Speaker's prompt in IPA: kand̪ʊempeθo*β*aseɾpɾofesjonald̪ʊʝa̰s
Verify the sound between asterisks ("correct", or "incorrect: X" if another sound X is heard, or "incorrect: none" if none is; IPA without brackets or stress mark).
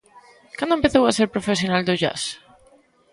incorrect: w